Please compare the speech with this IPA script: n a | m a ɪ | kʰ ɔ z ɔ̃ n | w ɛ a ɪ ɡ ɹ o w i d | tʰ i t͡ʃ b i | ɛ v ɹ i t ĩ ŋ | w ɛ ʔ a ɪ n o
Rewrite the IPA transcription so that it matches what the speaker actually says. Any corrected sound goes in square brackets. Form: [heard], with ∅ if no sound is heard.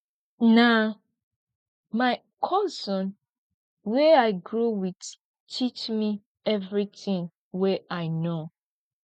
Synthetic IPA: n a | m a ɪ | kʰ ɔ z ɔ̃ n | w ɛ a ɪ ɡ ɹ o w i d | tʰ i t͡ʃ [m] i | ɛ v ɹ i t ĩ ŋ | w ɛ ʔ a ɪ n o